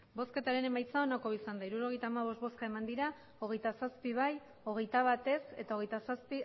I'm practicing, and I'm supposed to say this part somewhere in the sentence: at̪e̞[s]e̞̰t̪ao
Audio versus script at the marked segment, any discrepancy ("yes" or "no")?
no